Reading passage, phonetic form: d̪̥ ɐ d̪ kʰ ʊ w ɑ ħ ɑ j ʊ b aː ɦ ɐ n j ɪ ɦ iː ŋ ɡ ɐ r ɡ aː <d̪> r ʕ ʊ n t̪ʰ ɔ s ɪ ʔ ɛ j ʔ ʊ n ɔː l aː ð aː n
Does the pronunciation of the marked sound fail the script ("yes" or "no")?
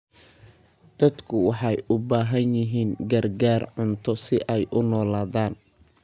yes